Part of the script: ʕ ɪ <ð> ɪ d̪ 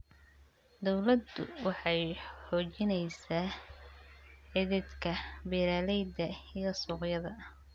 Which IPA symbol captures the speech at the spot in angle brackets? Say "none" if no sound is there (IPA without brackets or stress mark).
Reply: ð